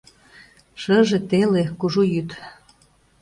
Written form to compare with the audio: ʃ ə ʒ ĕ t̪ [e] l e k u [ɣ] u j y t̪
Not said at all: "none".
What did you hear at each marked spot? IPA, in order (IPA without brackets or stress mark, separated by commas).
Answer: e, ʒ